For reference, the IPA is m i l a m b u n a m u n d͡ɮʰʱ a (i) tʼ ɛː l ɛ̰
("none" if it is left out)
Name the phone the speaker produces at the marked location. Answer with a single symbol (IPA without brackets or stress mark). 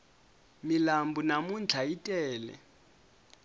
i